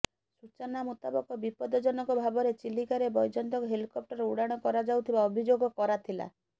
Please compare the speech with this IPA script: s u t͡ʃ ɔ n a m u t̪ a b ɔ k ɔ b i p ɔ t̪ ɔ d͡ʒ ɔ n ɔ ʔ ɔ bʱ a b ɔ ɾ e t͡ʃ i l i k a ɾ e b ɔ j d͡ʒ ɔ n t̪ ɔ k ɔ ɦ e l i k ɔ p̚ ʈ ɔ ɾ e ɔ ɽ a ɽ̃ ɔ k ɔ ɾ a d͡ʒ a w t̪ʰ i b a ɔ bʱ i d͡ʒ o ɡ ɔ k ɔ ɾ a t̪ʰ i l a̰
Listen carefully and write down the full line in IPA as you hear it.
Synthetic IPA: s u t͡ʃ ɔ n a m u t̪ a b ɔ k ɔ b i p ɔ d̪ ɔ d͡ʒ ɔ n ɔ k ɔ bʱ a b ɔ ɾ e t͡ʃ i l i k a ɾ e b ɔ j d͡ʒ ɔ n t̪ ɔ k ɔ ɦ e l i k ɔ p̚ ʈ ɔ ɾ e u ɽ a ɽ̃ ɔ k ɔ ɾ a d͡ʒ a w t̪ʰ i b a ɔ bʱ i d͡ʒ o ɡ ɔ k ɔ ɾ a t̪ʰ i l a̰